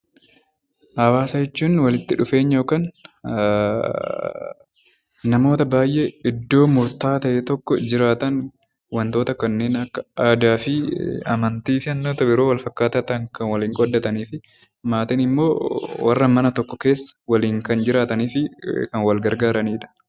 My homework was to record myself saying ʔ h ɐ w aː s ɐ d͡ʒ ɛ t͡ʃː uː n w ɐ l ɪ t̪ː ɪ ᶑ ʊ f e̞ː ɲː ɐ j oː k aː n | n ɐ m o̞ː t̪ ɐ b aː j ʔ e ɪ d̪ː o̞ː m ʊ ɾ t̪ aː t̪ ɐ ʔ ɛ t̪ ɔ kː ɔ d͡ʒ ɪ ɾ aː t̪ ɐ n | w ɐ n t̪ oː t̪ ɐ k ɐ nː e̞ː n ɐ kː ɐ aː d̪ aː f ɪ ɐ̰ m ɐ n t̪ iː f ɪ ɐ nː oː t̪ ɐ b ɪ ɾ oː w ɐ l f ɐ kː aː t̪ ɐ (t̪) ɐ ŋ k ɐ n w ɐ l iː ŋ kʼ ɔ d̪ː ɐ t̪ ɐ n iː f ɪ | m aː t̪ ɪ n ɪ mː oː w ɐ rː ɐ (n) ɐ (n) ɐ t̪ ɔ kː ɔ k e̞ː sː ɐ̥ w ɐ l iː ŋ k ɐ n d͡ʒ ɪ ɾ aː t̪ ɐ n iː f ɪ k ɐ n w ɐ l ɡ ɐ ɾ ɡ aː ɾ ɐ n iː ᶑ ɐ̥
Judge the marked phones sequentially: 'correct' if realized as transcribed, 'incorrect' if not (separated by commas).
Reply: correct, incorrect, correct